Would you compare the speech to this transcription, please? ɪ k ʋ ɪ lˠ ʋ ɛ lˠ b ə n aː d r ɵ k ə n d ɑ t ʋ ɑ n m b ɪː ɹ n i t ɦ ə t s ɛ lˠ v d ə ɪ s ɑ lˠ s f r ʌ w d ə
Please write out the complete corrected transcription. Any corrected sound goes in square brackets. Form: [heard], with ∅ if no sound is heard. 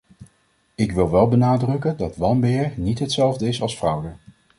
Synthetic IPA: ɪ k ʋ ɪ lˠ ʋ ɛ lˠ b ə n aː d r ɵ k ə n d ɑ t ʋ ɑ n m b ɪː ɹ n i t ɦ ə t s ɛ lˠ v d ə ɪ s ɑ lˠ s f r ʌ w d ə

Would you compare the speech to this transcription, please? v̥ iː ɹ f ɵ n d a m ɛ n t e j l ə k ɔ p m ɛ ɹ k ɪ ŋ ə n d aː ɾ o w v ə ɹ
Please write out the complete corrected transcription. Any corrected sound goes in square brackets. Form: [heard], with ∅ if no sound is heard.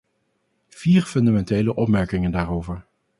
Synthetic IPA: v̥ iː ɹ f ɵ n d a m ɛ n t e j l ə [ʔ] ɔ p m ɛ ɹ k ɪ ŋ ə n d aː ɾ o w v ə ɹ

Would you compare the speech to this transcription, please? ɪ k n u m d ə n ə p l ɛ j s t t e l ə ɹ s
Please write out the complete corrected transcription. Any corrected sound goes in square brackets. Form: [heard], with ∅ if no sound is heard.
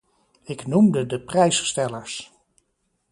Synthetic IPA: ɪ k n u m d ə [d] ə p [r] ɛ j s [s] t [ɛ] l ə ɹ s

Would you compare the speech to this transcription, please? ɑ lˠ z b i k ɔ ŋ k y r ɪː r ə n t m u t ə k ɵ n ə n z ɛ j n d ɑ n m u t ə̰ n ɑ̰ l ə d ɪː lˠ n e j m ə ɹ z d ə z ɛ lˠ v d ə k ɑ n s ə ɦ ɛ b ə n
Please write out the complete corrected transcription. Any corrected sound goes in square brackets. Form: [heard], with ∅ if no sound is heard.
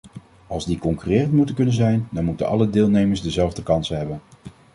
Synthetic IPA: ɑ lˠ z [d] i k ɔ ŋ k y r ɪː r ə n t m u t ə k ɵ n ə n z ɛ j n d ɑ n m u t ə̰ n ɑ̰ l ə d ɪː lˠ n e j m ə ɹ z d ə z ɛ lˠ v d ə k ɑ n s ə ɦ ɛ b ə n

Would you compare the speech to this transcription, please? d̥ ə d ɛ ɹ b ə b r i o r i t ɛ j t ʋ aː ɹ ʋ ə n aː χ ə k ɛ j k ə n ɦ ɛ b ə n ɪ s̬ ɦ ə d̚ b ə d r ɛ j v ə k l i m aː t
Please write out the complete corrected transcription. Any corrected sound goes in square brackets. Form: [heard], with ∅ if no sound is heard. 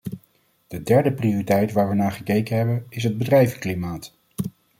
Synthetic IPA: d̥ ə d ɛ ɹ [d] ə [p] r i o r i t ɛ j t ʋ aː ɹ ʋ ə n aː χ ə k [e] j k ə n ɦ ɛ b ə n ɪ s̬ ɦ ə d̚ b ə d r ɛ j v ə k l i m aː t

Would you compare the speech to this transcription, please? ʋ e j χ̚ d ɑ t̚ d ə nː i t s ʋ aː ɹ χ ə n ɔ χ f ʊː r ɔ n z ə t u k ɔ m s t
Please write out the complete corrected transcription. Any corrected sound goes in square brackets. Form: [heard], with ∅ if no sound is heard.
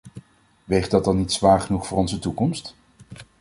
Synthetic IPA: ʋ e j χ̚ d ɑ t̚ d [ɑ] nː i t s ʋ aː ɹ χ ə n [u] χ f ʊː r ɔ n z ə t u k ɔ m s t

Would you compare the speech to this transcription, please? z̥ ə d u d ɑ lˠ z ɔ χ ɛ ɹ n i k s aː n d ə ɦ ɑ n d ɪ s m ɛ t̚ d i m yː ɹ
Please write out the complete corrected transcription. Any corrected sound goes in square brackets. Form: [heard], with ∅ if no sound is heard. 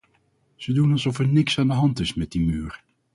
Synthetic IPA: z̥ ə d u [n] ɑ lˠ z ɔ [f] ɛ ɹ n [ɪ] k s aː n d ə ɦ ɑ n [t] ɪ s m ɛ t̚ d i m yː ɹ

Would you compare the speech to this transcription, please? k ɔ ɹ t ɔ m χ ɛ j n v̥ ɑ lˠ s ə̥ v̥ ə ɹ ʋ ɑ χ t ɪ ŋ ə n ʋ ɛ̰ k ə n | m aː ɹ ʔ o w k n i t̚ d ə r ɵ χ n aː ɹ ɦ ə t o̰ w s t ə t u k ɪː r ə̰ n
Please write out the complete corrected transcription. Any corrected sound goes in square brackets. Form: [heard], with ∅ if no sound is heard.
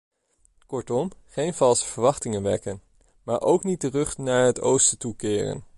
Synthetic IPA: k ɔ ɹ t ɔ m χ [e] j n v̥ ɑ lˠ s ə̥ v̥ ə ɹ ʋ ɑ χ t ɪ ŋ ə n ʋ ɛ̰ k ə n | m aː ɹ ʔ o w k n i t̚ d ə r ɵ χ n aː ɹ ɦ ə t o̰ w s t ə t u k ɪː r ə̰ n

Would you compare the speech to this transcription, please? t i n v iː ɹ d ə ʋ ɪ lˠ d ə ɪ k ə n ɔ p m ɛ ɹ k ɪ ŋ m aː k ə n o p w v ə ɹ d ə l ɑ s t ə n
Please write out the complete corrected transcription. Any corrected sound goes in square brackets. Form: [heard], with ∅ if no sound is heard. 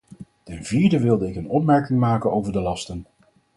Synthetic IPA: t [ɛ] n v iː ɹ d ə ʋ ɪ lˠ d ə ɪ k ə n ɔ p m ɛ ɹ k ɪ ŋ m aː k ə n o [∅] w v ə ɹ d ə l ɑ s t ə n

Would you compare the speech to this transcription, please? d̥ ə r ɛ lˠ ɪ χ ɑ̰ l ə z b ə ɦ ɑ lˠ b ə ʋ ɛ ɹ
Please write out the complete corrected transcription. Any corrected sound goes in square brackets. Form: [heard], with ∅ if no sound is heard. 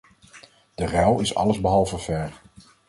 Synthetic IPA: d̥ ə r ɛ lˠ ɪ [s] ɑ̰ l ə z b ə ɦ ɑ lˠ [v] ə [v] ɛ ɹ

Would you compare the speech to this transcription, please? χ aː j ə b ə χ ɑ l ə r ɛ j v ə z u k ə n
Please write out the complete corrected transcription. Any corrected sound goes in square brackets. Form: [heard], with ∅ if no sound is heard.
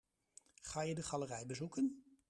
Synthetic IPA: χ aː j ə [d] ə χ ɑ l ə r ɛ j [b] ə z u k ə n

